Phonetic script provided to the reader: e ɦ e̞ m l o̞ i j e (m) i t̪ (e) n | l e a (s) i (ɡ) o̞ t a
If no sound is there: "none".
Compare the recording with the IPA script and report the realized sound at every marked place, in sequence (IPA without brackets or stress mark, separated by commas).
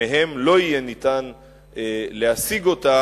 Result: n, a, s, ɡ